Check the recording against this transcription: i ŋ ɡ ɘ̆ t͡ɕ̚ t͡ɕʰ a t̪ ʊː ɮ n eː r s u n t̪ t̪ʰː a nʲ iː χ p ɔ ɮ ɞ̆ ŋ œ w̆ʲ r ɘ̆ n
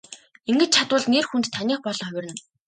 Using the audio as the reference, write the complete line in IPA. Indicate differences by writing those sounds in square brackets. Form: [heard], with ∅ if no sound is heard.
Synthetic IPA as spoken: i ŋ ɡ ɘ̆ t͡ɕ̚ t͡ɕʰ a t̪ ʊː ɮ n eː r [x] u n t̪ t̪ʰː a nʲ iː χ p ɔ ɮ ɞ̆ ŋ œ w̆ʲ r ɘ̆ n